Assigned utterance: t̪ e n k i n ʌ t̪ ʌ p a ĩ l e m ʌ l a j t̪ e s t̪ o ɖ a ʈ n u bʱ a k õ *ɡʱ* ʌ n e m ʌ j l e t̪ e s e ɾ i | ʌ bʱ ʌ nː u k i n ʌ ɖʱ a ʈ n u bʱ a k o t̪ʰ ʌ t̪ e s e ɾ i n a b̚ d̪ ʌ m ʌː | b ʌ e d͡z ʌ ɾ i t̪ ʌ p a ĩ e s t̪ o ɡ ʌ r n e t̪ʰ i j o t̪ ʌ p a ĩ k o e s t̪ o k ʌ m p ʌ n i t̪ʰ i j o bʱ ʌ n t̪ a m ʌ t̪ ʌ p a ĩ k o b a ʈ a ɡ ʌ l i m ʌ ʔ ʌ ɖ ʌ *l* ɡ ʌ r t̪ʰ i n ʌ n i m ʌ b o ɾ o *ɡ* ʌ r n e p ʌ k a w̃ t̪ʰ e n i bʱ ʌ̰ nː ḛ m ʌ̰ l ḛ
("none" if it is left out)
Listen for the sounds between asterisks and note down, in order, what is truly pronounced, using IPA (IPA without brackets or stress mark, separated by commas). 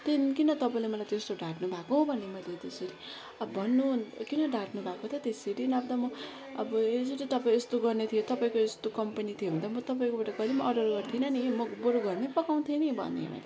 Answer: bʱ, r, ɡ